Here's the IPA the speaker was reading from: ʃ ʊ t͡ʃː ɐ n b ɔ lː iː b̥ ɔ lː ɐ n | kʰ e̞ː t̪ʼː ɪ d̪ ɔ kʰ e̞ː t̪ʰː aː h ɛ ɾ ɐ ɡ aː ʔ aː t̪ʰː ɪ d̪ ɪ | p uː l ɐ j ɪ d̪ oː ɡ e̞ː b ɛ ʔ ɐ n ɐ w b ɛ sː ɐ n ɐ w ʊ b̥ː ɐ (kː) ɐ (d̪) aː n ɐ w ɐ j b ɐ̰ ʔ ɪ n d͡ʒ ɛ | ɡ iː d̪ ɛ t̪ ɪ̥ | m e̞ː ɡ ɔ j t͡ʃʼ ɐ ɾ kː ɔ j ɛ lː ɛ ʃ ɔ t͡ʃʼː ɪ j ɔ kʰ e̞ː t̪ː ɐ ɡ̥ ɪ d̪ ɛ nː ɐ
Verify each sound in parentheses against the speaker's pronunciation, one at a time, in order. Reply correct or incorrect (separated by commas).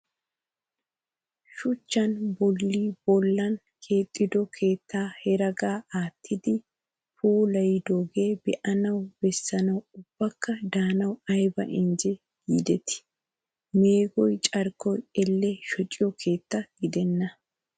correct, correct